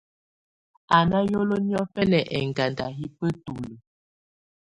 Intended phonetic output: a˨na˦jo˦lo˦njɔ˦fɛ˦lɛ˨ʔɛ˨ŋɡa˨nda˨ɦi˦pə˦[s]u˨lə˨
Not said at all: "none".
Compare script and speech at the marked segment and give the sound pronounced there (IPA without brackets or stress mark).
t